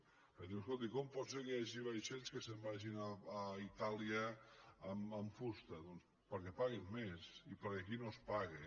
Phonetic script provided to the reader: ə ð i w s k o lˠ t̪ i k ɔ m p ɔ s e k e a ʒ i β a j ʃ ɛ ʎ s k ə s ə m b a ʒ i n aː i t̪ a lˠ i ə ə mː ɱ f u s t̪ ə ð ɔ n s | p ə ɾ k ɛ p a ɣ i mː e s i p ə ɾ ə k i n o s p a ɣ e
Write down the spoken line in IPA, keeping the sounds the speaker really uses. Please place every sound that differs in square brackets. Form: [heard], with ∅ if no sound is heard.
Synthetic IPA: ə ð i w s k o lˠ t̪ i k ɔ m p ɔ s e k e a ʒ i β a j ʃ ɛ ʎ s k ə s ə m b a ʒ i n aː i t̪ a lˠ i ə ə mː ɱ f u s t̪ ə ð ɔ n s | p ə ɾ k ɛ p a ɣ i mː e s i p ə ɾ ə k i n o s p a ɣ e